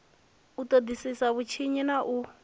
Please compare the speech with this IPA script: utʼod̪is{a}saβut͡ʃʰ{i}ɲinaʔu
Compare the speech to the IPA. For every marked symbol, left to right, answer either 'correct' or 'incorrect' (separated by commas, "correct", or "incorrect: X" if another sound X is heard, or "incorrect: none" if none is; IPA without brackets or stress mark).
incorrect: i, correct